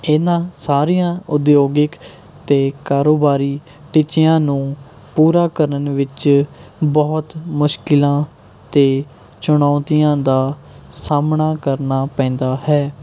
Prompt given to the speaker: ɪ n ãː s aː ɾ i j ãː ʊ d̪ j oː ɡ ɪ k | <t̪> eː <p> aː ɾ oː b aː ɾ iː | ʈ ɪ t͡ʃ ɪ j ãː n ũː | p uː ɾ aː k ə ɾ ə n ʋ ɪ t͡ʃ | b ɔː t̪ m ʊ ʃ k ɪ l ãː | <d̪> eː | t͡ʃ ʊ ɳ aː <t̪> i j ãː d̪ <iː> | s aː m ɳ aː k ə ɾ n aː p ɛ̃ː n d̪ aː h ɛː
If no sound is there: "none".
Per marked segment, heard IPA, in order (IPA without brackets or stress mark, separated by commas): t̪, k, t̪, t̪, aː